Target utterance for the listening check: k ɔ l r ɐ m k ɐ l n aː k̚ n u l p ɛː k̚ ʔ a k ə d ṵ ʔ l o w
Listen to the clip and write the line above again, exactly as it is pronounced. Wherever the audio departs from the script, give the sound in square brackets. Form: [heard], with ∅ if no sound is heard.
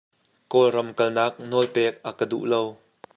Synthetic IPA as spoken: k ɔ l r ɐ m k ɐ l n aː k̚ n [ɔ] l p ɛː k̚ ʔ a k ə d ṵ ʔ l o w